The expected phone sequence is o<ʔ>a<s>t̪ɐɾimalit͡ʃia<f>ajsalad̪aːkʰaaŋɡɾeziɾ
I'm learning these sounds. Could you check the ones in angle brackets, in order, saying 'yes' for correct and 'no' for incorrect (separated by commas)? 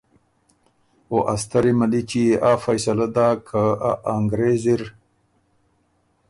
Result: yes, yes, yes